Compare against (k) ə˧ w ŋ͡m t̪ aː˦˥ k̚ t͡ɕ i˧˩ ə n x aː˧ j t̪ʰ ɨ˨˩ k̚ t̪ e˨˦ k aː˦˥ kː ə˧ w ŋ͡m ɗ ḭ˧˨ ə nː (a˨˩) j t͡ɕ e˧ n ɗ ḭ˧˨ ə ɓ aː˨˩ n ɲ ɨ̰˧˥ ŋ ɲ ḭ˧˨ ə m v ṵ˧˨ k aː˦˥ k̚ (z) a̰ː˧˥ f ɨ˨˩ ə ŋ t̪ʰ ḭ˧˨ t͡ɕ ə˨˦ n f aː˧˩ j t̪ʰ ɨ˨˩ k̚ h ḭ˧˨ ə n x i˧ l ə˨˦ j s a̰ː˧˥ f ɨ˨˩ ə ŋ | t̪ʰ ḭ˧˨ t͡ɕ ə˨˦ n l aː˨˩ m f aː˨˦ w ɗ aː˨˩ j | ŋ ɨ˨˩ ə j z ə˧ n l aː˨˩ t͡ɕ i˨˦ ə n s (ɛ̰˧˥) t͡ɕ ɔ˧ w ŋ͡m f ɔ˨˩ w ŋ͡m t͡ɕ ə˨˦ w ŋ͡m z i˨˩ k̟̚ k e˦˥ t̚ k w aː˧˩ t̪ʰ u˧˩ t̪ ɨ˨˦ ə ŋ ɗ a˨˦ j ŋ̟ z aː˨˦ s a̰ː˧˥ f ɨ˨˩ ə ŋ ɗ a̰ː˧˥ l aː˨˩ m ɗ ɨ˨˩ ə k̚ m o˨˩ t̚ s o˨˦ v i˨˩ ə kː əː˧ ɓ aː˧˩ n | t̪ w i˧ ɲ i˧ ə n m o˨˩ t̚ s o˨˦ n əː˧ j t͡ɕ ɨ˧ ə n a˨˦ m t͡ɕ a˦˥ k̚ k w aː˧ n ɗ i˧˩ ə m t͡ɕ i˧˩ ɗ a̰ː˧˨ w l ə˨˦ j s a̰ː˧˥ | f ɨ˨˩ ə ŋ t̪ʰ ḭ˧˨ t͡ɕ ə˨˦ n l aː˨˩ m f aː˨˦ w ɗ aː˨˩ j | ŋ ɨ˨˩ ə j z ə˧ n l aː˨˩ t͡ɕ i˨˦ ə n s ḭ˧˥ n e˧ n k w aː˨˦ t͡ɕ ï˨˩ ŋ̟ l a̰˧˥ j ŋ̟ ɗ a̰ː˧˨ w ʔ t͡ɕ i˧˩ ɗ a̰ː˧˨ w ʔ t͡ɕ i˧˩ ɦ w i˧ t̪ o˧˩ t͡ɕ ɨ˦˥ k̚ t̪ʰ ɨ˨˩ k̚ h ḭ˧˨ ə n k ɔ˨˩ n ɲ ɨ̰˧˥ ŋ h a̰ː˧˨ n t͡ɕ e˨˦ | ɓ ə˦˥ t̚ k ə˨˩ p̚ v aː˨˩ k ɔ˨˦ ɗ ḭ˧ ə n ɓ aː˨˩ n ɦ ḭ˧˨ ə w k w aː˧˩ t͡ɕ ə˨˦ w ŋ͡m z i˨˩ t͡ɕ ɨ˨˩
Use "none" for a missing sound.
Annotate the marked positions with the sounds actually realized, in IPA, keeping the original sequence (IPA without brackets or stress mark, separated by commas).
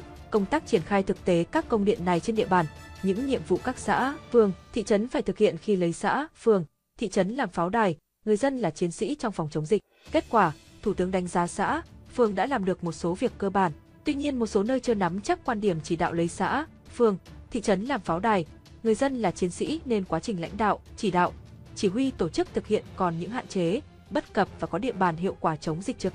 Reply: k, a˨˩, s, ḭ˧˥